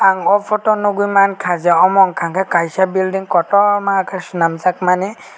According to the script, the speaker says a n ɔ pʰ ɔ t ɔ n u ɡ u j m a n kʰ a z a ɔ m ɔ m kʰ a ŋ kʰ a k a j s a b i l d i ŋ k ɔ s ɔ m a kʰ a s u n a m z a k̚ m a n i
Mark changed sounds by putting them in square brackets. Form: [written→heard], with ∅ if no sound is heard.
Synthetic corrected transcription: a [n→ŋ] ɔ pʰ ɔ t ɔ n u ɡ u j m a n kʰ a z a ɔ m ɔ [m→ŋ] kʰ a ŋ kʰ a k a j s a b i l d i ŋ k ɔ [s→t] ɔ m a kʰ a s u n a m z a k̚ m a n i